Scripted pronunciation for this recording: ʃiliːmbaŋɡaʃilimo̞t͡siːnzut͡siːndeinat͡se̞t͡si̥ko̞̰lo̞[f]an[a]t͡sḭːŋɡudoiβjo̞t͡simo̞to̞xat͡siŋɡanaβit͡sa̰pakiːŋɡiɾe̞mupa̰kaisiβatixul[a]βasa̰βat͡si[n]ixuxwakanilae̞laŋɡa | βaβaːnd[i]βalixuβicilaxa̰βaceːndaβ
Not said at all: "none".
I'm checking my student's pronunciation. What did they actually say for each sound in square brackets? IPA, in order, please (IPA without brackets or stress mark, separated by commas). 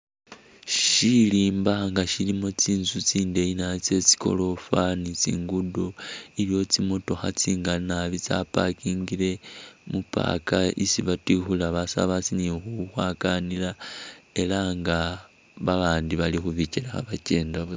f, i, a, n, i